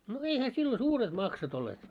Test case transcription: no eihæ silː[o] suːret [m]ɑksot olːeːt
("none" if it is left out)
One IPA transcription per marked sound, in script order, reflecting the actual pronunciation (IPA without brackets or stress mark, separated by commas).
o, m